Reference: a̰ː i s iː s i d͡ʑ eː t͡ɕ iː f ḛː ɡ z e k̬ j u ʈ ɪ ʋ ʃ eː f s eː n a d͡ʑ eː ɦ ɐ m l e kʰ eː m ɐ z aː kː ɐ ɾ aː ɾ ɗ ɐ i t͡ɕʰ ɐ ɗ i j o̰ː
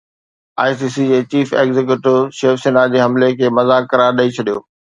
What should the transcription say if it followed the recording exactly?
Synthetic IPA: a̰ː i s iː s i d͡ʑ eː t͡ɕ iː f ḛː ɡ z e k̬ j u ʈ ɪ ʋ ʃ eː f s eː n a d͡ʑ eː ɦ ɐ m l e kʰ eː m ɐ z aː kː ɐ ɾ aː ɾ ɗ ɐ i t͡ɕʰ ɐ ɗ i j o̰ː